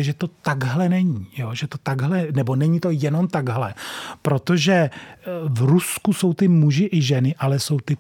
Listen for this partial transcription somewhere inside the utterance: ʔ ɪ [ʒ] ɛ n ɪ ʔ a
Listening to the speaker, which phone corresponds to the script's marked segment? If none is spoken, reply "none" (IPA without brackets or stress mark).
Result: ʒ